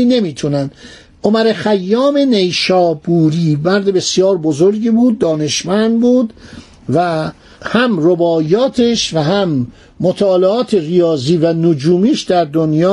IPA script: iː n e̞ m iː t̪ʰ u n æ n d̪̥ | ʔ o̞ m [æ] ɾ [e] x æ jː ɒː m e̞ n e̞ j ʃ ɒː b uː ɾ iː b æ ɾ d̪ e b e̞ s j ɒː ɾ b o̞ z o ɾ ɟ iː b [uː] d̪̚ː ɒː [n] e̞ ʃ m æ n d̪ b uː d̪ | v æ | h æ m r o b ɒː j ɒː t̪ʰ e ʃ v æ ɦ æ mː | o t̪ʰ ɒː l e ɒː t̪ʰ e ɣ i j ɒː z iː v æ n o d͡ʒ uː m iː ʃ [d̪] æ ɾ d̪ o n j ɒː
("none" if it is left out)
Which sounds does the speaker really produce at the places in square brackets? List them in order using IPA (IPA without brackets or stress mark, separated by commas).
æ, e, uː, n, d̪